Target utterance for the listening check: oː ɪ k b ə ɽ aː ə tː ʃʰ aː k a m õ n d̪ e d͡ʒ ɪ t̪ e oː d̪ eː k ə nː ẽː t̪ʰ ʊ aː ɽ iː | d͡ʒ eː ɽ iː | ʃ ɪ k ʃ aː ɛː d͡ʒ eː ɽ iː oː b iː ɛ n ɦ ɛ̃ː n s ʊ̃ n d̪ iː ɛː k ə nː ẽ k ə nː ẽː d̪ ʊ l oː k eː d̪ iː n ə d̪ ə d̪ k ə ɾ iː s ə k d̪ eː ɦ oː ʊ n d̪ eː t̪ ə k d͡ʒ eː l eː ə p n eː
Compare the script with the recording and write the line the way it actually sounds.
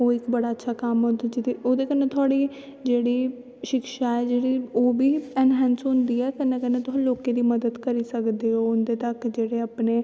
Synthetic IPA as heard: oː ɪ k b ə ɽ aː ə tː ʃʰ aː k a m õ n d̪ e d͡ʒ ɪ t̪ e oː d̪ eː k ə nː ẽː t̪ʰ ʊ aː ɽ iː | d͡ʒ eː ɽ iː | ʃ ɪ k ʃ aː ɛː d͡ʒ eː ɽ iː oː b iː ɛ n ɦ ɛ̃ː n s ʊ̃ n d̪ iː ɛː k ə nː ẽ k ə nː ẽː t̪ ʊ l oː k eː d̪ iː m ə d̪ ə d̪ k ə ɾ iː s ə k d̪ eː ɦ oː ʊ n d̪ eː t̪ ə k d͡ʒ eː ɽ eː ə p n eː